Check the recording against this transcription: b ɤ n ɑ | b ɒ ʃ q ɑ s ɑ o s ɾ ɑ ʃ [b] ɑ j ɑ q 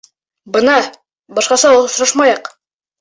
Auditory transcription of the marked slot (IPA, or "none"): m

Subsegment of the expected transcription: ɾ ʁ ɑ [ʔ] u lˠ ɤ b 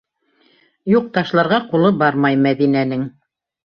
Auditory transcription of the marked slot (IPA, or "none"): q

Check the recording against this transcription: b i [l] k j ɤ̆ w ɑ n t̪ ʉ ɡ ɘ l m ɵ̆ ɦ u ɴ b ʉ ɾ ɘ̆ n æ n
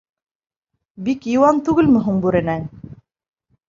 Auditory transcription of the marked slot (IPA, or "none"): none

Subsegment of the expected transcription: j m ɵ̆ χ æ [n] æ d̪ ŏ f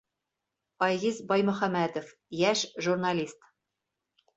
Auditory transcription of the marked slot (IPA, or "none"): m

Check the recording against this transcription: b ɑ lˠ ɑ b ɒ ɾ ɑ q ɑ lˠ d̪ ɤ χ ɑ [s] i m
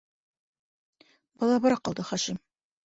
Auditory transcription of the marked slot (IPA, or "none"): ʃ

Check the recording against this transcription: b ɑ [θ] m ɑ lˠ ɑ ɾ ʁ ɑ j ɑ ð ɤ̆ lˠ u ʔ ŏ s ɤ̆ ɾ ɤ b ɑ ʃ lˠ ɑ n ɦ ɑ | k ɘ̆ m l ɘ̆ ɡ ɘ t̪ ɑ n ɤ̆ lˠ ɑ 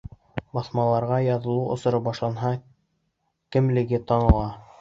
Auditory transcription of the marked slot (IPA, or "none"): θ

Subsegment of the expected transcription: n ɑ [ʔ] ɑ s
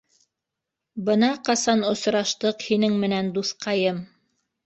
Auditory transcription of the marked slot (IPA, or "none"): q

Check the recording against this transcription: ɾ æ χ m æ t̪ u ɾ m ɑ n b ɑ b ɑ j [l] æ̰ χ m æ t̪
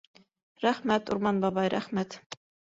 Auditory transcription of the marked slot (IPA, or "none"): ɾ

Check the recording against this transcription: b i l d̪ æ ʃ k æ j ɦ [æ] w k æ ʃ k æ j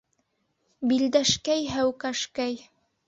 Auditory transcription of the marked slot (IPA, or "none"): æ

